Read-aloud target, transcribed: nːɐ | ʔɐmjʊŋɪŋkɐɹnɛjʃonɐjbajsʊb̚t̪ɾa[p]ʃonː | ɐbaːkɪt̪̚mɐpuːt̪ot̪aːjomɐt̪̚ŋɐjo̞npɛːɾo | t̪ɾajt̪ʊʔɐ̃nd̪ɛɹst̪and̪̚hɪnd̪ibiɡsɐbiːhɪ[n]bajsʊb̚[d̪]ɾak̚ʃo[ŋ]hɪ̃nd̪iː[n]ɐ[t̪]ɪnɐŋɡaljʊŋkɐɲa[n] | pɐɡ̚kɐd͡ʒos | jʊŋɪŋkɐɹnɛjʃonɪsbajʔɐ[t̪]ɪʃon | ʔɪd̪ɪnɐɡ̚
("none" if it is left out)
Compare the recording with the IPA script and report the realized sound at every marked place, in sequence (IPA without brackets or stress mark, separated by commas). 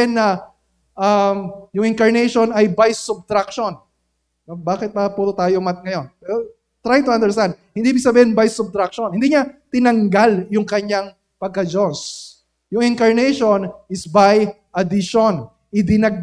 k, n, t̪, n, ɲ, t̪, ŋ, d̪